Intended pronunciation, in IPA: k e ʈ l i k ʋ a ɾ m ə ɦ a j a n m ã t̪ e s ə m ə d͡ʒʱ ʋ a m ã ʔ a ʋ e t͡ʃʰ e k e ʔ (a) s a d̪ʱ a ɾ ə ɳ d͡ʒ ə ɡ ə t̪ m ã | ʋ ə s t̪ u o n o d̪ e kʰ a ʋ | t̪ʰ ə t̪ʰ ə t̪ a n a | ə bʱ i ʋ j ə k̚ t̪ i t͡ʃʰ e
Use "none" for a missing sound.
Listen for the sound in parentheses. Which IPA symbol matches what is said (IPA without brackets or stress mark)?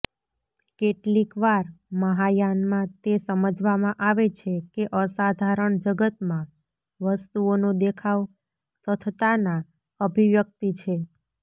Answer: ə